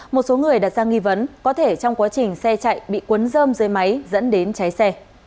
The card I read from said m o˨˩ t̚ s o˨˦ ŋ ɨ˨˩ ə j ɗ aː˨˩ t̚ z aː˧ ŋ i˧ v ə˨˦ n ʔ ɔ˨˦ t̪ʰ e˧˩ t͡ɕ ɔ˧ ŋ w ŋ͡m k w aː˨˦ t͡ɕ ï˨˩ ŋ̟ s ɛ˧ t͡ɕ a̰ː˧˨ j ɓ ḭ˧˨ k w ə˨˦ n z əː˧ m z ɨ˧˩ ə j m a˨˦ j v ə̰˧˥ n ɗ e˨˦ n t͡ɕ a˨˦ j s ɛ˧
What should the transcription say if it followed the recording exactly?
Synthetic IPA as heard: m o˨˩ t̚ s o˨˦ ŋ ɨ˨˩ ə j ɗ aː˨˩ t̚ z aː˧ ŋ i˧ v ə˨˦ n k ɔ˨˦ t̪ʰ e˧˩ t͡ɕ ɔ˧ w ŋ͡m k w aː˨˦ t͡ɕ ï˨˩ ŋ̟ s ɛ˧ t͡ɕ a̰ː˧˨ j ɓ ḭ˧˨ k w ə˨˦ n z əː˧ m z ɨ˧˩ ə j m a˨˦ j z ə̰˧˥ n ɗ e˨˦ n t͡ɕ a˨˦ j s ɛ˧